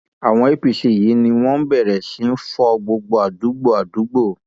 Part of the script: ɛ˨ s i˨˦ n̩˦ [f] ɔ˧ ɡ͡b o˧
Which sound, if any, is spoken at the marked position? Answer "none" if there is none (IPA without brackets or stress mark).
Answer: f